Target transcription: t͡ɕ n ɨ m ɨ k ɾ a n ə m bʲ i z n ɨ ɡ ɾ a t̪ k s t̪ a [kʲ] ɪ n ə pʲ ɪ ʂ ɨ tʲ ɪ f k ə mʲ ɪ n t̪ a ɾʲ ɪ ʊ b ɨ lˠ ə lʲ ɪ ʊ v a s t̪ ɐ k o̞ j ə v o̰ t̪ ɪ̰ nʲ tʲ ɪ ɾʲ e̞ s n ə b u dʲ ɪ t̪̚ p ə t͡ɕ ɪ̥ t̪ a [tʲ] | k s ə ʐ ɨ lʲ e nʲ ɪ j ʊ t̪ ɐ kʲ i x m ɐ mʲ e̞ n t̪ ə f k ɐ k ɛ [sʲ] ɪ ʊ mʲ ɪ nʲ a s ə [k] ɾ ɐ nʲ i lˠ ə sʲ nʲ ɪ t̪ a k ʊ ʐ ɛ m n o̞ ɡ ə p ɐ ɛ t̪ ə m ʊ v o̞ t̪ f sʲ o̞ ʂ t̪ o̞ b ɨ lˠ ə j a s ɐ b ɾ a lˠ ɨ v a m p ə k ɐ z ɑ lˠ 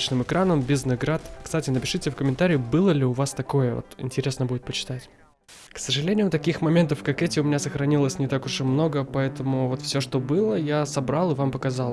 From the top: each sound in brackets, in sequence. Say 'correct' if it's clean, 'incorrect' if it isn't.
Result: incorrect: tʲ, correct, incorrect: tʲ, incorrect: x

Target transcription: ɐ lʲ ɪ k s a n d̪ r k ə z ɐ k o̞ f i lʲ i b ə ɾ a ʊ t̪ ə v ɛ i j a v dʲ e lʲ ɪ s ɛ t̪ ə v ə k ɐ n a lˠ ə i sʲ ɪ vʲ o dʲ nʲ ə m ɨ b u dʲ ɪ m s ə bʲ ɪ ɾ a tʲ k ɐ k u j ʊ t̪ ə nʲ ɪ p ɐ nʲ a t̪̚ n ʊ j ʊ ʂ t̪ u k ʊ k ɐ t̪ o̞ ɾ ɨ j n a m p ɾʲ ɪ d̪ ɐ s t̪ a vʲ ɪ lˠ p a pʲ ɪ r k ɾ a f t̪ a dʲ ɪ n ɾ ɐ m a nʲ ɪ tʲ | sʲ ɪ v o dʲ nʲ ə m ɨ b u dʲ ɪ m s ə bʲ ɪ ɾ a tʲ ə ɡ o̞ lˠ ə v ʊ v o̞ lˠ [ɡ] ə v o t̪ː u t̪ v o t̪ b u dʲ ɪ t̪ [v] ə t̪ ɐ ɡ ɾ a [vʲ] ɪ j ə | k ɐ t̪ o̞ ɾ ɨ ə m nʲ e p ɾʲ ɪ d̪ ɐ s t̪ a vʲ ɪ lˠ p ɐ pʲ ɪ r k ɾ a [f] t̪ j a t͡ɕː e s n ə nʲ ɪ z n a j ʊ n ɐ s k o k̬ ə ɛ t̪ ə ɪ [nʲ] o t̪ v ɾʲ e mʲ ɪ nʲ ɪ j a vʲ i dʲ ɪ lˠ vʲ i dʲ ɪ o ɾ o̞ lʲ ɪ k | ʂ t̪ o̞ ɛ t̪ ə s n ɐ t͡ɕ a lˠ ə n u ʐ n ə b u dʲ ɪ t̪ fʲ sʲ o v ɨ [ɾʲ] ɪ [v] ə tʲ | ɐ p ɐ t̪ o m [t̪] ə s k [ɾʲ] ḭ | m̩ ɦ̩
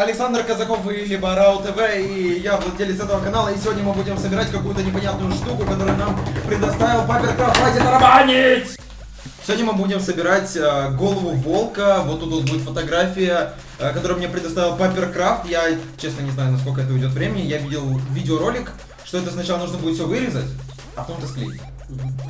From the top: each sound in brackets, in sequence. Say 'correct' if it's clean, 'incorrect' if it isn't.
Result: incorrect: k, incorrect: f, incorrect: fʲ, correct, incorrect: dʲ, correct, incorrect: z, correct, incorrect: lʲ

